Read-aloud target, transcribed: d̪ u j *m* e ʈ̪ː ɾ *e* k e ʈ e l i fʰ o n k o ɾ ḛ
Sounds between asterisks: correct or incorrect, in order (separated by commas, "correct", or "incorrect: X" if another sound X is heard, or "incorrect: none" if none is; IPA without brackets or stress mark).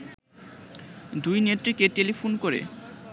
incorrect: n, incorrect: i